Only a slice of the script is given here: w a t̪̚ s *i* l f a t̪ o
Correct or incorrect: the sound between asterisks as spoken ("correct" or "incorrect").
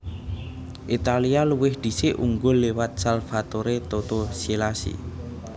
incorrect